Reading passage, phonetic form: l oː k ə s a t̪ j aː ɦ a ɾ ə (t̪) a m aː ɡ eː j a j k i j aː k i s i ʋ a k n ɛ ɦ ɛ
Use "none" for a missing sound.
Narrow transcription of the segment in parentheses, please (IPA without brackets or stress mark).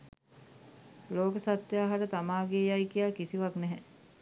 t̪